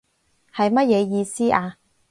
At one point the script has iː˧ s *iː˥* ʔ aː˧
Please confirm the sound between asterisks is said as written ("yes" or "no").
yes